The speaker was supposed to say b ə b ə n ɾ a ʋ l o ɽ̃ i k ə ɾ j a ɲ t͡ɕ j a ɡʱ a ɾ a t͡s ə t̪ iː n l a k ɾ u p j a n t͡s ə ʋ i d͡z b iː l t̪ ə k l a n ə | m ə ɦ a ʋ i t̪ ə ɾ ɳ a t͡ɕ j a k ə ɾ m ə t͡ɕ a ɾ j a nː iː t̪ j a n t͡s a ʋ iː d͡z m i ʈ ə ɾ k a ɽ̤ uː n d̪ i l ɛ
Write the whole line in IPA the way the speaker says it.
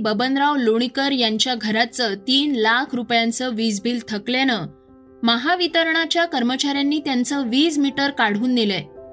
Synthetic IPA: b ə b ə n ɾ a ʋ l o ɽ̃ i k ə ɾ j a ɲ t͡ɕ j a ɡʱ ə ɾ a t͡s ə t̪ iː n l a kʰ ɾ u p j a n t͡s ə ʋ i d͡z b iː l t̪ʰ ə k l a n ə | m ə ɦ a ʋ i t̪ ə ɾ ɳ a t͡ɕ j a k ə ɾ m ə t͡ɕ a ɾ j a nː iː t̪ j a n t͡s ə ʋ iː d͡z m i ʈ ə ɾ k a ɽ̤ uː n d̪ i l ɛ